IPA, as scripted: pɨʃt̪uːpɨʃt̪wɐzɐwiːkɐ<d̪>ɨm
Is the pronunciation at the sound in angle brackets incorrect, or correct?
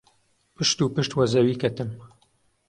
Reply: incorrect